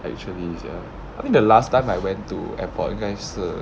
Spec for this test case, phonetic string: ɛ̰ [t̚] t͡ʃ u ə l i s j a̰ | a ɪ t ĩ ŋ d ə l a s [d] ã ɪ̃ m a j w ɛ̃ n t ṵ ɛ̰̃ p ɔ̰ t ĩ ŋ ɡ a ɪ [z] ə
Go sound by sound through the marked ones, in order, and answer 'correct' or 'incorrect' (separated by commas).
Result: incorrect, incorrect, incorrect